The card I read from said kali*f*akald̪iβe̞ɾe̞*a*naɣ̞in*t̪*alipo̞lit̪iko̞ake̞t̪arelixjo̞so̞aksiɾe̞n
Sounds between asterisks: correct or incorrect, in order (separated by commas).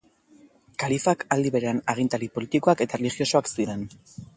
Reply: correct, correct, correct